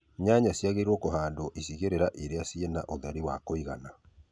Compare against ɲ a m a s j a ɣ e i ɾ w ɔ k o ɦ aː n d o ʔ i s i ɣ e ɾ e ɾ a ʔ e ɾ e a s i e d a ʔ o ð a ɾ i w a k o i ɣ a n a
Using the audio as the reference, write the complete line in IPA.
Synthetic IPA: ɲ a ɲ a s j a ɣ e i ɾ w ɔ k o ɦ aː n d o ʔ i s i ɣ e ɾ e ɾ a ʔ e ɾ e a s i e n a ʔ o ð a ɾ i w a k o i ɣ a n a